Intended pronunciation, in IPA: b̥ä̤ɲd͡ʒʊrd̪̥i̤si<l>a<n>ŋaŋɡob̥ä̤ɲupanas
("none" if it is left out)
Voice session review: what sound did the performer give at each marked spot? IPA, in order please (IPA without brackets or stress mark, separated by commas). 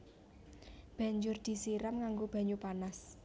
ɾ, m